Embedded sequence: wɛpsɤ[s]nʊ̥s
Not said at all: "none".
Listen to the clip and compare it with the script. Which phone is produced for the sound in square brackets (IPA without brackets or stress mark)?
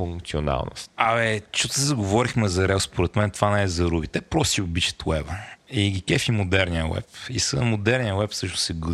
ʃ